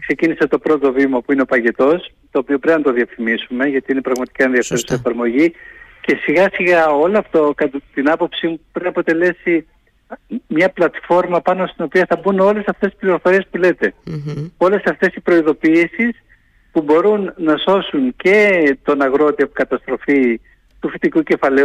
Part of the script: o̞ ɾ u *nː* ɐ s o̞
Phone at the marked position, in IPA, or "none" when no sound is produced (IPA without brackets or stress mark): nː